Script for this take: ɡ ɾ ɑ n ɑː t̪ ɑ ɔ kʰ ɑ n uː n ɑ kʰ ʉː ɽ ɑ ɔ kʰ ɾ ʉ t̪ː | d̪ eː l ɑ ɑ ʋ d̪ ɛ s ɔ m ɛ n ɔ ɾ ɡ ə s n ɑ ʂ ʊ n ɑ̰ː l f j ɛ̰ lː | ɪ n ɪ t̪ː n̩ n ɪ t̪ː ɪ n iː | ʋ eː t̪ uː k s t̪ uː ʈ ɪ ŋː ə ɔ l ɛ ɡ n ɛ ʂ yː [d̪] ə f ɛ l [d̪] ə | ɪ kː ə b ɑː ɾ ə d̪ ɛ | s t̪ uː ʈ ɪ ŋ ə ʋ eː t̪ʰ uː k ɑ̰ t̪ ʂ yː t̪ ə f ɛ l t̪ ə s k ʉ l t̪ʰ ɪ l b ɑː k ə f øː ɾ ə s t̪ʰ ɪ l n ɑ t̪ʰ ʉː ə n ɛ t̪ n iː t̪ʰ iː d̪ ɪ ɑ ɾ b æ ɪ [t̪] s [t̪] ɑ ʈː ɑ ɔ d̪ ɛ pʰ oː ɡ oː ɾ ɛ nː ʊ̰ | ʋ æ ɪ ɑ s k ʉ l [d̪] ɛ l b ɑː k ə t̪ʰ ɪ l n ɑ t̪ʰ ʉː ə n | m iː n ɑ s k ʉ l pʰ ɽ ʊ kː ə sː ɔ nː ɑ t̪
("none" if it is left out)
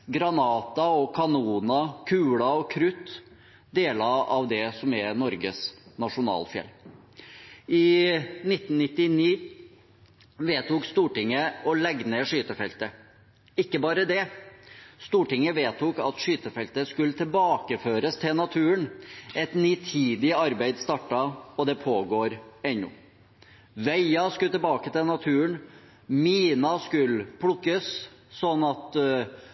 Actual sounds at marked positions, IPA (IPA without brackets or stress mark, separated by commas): t̪, t̪, d̪, t̪, t̪